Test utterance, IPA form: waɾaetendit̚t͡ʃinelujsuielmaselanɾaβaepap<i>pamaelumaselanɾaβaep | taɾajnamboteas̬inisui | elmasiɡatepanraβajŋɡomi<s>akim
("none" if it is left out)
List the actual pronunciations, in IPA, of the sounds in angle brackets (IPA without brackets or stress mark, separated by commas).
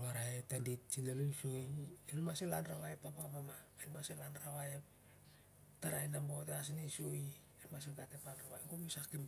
a, s